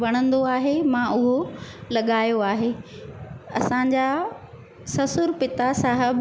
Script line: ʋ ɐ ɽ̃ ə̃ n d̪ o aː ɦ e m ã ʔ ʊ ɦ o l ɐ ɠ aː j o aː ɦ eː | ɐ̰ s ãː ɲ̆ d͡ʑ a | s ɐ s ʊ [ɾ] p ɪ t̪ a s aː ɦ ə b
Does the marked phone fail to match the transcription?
no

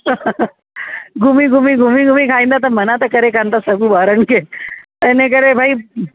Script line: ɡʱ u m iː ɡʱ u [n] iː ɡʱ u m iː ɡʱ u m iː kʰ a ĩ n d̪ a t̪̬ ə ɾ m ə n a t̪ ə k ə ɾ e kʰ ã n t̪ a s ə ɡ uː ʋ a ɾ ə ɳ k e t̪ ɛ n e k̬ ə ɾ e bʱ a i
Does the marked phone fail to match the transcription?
yes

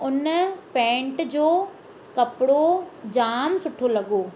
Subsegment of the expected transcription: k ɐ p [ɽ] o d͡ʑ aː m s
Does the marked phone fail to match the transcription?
no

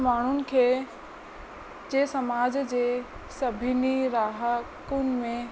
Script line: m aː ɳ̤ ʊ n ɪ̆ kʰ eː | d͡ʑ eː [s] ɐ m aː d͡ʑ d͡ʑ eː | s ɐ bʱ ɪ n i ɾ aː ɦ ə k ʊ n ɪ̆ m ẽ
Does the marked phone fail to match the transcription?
no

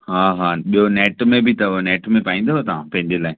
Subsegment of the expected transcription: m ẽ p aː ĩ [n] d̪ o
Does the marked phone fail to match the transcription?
no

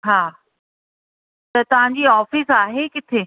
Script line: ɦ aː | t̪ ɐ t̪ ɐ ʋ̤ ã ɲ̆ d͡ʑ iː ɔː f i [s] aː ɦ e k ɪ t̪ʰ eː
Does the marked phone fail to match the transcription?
no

